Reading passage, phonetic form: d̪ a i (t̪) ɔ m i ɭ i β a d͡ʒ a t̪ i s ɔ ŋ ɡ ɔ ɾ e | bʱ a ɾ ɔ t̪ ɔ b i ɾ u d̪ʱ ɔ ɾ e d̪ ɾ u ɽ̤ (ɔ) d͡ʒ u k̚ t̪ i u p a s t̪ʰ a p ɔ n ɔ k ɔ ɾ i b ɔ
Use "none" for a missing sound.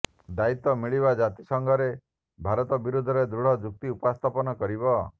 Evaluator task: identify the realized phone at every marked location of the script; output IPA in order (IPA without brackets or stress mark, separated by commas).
t̪, ɔ